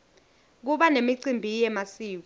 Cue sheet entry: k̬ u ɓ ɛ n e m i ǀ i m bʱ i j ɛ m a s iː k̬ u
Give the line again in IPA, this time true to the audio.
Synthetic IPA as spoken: k̬ u ɓ a n e m i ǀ i m bʱ i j ɛ m a s iː k̬ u